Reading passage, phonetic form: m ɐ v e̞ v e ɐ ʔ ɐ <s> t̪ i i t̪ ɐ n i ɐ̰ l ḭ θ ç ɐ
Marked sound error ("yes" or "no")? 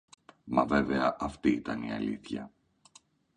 yes